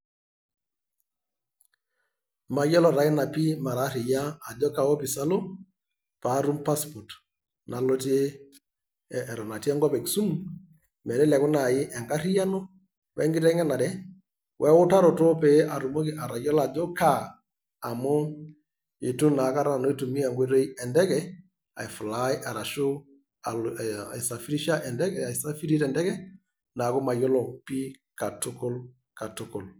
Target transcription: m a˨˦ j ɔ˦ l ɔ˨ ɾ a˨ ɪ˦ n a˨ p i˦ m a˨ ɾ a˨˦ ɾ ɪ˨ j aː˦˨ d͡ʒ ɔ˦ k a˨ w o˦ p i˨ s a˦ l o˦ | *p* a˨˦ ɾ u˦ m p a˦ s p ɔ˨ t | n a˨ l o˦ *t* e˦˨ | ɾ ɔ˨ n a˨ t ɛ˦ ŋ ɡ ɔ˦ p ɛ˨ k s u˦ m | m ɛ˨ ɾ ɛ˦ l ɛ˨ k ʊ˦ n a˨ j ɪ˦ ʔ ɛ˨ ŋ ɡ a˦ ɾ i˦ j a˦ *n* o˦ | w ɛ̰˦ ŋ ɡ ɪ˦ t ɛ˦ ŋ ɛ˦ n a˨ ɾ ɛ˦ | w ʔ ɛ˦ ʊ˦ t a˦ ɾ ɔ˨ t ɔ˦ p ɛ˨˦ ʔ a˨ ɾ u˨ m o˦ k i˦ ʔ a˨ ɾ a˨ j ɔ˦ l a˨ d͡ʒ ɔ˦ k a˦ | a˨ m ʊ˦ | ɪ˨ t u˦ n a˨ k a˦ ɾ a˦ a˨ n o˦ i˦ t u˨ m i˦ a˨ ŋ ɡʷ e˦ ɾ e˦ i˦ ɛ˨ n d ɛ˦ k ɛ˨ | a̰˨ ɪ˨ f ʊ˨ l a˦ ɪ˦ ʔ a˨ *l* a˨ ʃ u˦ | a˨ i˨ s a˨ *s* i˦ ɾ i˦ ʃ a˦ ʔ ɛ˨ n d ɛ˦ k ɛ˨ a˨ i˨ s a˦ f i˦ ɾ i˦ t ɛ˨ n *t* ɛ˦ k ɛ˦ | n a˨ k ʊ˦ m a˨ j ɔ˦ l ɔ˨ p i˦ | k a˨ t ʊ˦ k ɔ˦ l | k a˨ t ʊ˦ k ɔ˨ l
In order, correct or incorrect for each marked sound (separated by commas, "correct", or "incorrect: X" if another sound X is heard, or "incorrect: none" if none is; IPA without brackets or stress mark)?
correct, correct, correct, incorrect: ɾ, incorrect: f, incorrect: d